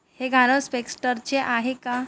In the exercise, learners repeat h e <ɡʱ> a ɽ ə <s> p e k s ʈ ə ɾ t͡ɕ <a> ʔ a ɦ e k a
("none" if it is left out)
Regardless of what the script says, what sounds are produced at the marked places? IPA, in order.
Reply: ɡʱ, s, e

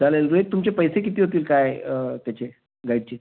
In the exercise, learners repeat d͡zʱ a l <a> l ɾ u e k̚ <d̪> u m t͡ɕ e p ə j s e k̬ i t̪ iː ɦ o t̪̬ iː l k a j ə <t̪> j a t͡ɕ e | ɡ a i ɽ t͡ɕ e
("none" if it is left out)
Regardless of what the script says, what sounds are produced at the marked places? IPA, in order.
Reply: e, t̪, t̪

